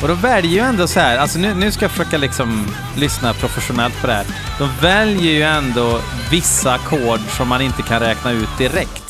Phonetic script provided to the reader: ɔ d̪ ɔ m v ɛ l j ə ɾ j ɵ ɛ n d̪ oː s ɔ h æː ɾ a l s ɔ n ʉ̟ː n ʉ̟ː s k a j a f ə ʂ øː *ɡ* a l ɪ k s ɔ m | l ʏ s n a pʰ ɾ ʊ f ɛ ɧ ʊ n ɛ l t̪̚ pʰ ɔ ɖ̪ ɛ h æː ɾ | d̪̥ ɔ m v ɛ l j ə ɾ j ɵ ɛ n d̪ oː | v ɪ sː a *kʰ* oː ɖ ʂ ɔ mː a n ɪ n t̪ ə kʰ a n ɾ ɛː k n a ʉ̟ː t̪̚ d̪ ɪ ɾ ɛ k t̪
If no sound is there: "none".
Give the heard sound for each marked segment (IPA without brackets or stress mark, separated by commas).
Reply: k, kʰ